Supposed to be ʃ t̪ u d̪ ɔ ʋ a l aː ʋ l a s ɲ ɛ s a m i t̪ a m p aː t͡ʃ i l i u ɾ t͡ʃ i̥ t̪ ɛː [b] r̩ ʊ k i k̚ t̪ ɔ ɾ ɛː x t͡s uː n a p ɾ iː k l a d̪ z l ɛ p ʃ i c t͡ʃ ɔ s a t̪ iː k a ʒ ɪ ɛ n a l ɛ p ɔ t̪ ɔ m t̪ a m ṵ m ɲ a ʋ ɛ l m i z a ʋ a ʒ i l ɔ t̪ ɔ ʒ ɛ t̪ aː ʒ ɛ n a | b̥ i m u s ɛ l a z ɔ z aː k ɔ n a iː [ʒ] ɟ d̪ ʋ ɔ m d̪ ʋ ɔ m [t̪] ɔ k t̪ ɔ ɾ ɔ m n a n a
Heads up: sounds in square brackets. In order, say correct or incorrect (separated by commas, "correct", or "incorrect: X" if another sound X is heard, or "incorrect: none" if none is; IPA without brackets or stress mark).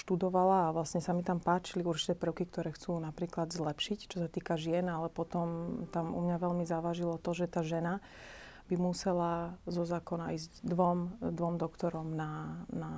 incorrect: p, incorrect: z, incorrect: d̪